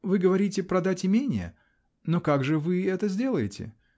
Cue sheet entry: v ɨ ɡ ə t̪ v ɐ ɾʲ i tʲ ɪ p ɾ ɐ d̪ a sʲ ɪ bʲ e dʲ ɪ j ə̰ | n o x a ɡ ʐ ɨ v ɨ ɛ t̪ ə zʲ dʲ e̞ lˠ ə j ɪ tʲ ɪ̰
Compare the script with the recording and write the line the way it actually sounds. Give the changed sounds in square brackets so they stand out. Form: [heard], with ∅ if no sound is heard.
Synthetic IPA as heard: v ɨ ɡ ə [∅] v ɐ ɾʲ i tʲ ɪ p ɾ ɐ d̪ a [tʲ] ɪ [mʲ] e [nʲ] ɪ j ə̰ | n o [k] a ɡ ʐ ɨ v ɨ ɛ t̪ ə zʲ dʲ e̞ lˠ ə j ɪ tʲ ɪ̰